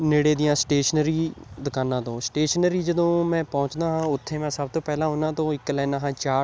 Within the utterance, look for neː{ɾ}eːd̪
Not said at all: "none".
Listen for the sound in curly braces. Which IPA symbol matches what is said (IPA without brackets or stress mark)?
ɽ